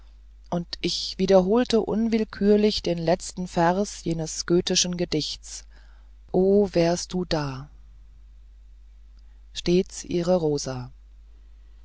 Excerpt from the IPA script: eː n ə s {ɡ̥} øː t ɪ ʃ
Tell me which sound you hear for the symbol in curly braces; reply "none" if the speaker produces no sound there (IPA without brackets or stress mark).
ɡ̥